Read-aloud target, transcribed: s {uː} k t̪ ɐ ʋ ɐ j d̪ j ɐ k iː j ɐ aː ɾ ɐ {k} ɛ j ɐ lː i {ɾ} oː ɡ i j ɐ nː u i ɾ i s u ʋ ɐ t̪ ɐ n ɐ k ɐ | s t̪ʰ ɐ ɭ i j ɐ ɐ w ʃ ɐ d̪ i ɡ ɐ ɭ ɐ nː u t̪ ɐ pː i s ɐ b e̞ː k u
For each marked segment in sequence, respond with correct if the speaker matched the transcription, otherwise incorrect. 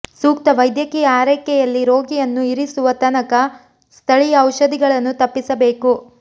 correct, correct, correct

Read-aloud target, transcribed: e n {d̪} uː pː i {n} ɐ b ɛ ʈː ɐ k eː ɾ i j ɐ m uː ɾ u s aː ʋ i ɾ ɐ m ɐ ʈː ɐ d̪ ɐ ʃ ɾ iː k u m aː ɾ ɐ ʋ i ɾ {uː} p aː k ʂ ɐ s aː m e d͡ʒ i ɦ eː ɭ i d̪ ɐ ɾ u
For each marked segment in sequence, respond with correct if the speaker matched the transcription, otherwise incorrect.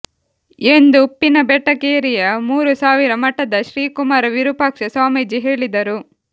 correct, correct, incorrect

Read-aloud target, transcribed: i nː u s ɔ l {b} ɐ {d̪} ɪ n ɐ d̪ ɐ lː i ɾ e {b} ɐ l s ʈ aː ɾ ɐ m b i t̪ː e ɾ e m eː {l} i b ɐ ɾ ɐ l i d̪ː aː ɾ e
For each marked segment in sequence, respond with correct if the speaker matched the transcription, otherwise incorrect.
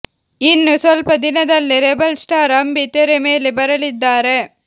incorrect, correct, correct, correct

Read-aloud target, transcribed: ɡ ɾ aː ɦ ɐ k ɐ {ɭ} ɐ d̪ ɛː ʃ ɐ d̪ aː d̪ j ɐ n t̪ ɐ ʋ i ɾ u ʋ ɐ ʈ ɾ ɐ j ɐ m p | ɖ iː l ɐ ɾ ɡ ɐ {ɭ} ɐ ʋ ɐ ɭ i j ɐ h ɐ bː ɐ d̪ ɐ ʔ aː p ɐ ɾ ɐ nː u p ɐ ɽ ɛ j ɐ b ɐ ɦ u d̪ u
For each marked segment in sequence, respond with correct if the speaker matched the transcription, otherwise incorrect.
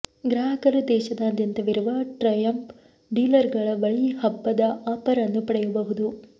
incorrect, correct

